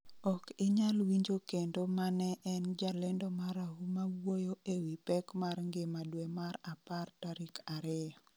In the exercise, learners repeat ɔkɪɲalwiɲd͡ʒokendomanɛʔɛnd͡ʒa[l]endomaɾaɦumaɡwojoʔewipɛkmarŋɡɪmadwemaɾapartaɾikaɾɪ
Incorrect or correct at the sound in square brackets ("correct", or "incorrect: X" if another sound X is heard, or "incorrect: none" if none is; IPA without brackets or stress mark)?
correct